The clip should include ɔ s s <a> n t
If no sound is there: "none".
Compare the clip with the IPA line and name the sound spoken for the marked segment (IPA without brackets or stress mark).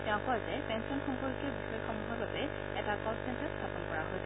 ɛ